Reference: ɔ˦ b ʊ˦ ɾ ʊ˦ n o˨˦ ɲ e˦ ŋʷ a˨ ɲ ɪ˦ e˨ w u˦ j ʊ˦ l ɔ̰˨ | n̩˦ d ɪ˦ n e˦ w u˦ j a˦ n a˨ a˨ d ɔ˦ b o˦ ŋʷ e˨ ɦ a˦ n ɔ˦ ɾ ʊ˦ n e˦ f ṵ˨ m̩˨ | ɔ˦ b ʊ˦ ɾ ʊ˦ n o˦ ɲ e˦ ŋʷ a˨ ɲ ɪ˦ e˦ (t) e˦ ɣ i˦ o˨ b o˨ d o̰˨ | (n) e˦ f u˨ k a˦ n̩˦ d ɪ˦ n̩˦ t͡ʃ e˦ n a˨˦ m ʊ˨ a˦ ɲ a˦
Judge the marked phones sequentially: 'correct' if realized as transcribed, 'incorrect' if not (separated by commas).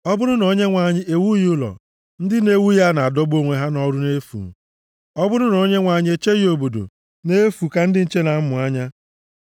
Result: incorrect, correct